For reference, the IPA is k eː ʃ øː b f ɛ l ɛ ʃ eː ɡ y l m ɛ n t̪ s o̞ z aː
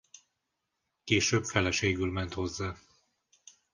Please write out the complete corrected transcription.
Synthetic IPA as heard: k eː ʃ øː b f ɛ l ɛ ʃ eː ɡ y l m ɛ n t̪ h o̞ zː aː